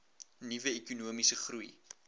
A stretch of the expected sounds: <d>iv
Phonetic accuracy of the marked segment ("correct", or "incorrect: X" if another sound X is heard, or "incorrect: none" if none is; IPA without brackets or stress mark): incorrect: n